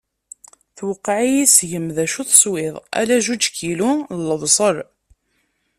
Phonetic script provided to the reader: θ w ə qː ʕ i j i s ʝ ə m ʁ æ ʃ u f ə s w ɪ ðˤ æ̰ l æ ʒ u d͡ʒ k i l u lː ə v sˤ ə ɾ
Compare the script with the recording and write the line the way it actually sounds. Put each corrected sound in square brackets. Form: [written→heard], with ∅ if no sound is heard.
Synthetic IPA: θ w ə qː ʕ i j i s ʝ ə m [ʁ→ð] æ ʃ u [f→θ] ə s w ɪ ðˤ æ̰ l æ ʒ u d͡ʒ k i l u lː ə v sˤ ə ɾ